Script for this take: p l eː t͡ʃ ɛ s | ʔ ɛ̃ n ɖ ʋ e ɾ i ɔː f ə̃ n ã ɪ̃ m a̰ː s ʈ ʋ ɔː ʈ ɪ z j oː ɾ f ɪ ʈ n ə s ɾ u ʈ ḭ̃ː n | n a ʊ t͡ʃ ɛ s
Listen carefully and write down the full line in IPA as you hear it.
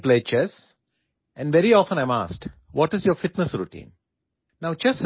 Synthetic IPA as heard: p l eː t͡ʃ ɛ s | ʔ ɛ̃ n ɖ ʋ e ɾ i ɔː f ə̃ n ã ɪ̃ m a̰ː s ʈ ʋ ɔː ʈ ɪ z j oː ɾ f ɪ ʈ n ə s ɾ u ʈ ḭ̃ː n | n a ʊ t͡ʃ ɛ s